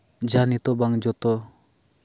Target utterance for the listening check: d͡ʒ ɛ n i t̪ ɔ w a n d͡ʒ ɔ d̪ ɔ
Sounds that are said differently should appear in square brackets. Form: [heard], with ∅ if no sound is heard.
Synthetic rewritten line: d͡ʒ [a] n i t̪ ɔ [b] a [ŋ] d͡ʒ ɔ [t̪] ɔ